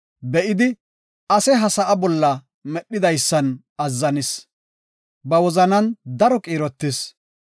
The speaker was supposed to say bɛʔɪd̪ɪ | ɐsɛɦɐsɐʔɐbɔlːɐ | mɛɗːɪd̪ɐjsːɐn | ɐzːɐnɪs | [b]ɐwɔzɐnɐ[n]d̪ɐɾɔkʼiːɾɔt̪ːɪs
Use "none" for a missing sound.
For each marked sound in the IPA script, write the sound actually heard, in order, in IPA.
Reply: b, n

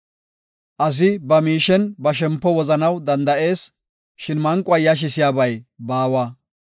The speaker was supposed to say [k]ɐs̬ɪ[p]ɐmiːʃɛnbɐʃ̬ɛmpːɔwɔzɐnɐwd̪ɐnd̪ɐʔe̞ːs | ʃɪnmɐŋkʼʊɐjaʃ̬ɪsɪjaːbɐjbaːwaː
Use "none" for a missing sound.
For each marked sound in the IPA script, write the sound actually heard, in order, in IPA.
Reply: ʔ, b

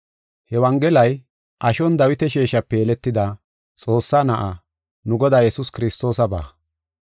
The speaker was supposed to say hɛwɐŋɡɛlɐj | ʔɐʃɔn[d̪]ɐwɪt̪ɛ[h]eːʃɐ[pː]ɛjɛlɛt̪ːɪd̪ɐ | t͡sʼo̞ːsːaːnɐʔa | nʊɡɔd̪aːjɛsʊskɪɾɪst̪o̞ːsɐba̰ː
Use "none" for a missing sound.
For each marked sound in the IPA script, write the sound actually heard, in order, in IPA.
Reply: d̪, ʃ, pː

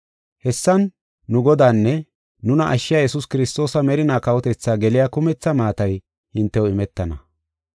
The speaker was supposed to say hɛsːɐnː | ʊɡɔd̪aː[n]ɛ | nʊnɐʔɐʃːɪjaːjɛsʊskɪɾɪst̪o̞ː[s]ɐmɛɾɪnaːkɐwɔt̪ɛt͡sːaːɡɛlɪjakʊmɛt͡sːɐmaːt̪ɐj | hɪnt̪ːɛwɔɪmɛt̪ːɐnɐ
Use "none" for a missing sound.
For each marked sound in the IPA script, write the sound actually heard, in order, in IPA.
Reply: nː, s

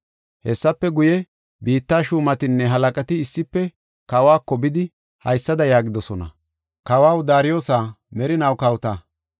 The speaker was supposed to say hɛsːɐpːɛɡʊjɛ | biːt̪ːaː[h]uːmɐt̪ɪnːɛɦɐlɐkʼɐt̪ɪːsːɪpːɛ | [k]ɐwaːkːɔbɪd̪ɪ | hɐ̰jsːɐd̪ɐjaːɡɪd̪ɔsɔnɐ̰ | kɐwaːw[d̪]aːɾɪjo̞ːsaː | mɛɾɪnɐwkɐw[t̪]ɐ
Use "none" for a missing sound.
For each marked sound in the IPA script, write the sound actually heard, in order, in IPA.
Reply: ʃ, k, d̪, t̪

